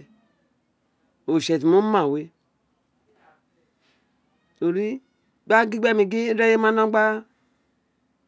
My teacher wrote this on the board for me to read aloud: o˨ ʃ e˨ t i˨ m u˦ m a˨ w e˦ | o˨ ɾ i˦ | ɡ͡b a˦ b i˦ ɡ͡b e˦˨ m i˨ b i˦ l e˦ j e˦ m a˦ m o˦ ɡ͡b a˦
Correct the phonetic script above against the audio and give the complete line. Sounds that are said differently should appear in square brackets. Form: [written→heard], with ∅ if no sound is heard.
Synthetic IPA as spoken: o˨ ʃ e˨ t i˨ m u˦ m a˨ w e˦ | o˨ ɾ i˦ | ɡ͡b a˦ [b→ɡ] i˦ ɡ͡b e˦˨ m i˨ [b→ɡ] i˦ [l→ɾ] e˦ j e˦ m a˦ [m→n] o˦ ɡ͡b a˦